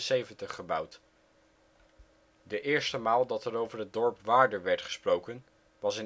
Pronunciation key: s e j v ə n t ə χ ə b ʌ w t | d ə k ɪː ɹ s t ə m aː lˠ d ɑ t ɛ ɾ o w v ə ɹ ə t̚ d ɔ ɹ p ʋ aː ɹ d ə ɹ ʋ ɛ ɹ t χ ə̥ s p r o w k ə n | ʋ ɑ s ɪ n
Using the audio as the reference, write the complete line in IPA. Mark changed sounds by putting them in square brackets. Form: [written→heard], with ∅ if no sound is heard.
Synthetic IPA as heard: s e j v ə n t ə χ ə b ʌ w t | d ə [k→ʔ] ɪː ɹ s t ə m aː lˠ d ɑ t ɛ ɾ o w v ə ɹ ə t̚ d ɔ ɹ p ʋ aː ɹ d ə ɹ ʋ ɛ ɹ t χ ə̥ s p r o w k ə n | ʋ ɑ s ɪ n